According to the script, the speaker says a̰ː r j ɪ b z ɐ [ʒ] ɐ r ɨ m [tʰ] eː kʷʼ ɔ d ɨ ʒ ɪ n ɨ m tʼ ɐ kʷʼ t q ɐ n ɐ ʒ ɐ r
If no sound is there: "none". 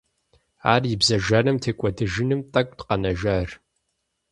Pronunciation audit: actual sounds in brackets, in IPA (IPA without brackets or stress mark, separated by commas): ʒ, tʰ